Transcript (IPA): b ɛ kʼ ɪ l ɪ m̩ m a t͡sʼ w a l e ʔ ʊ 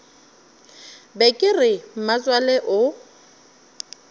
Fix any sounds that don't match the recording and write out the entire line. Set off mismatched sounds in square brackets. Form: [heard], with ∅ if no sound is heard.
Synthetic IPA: b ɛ kʼ ɪ [r] ɪ m̩ m a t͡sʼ w a l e ʔ ʊ